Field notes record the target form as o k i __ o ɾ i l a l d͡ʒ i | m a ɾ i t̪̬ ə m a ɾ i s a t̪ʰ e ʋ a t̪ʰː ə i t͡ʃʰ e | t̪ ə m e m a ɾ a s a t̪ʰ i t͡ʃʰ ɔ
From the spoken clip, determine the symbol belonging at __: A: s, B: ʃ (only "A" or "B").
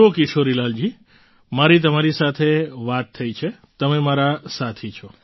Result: B